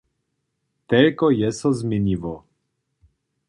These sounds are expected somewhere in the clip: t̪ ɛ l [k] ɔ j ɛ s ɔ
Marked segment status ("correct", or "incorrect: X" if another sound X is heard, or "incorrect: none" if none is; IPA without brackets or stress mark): correct